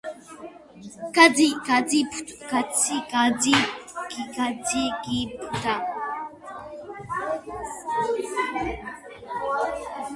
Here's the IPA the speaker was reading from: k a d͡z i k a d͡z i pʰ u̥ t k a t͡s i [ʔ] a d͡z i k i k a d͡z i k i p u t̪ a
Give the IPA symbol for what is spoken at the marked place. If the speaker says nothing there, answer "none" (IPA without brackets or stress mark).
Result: k